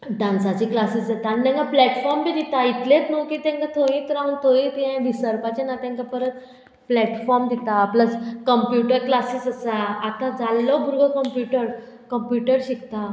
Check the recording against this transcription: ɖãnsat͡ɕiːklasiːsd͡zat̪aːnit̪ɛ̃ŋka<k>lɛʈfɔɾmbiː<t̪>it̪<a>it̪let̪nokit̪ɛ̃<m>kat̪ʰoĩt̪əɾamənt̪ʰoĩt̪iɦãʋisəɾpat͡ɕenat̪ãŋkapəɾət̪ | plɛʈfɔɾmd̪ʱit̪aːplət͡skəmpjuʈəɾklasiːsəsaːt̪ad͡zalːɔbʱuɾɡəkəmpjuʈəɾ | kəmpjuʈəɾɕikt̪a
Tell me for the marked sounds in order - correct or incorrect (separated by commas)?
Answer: incorrect, incorrect, correct, incorrect